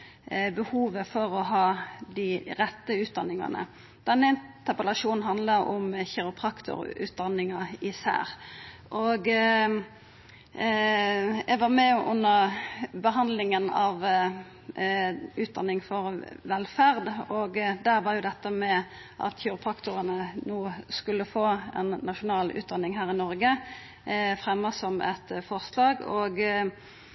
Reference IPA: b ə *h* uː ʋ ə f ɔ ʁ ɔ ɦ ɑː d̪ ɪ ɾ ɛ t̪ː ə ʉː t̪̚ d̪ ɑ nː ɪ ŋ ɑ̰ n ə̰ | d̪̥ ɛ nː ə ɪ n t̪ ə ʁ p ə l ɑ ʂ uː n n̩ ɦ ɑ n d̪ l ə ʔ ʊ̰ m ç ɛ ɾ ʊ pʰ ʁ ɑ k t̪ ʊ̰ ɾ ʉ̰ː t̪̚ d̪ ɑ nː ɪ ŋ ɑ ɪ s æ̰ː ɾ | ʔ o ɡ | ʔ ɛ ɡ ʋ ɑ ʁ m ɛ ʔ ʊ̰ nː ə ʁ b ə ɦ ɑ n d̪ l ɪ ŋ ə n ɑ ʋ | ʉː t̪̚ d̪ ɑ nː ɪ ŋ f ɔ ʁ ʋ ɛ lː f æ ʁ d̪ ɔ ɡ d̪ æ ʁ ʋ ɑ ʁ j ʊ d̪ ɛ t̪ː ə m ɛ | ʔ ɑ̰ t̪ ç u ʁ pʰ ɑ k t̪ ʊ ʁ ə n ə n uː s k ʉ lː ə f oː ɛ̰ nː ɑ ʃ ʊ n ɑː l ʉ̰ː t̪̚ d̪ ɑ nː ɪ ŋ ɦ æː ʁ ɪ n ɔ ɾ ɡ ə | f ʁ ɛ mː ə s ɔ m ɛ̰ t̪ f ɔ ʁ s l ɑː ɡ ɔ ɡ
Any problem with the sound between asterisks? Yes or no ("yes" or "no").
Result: no